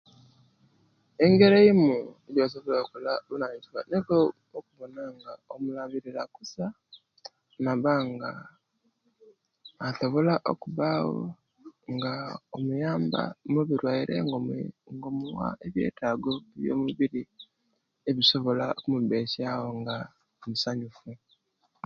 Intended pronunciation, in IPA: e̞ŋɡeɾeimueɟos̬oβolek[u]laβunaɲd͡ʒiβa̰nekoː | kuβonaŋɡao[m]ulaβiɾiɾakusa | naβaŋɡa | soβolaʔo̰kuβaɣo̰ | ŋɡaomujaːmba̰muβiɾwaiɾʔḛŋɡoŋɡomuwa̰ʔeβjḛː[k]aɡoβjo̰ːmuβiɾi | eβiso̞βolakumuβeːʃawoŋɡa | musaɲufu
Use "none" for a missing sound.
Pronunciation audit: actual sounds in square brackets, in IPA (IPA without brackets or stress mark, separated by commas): u, m, t